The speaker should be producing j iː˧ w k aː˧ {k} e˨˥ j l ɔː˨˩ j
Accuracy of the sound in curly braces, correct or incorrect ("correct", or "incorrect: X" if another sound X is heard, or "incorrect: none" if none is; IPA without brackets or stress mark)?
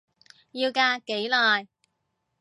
correct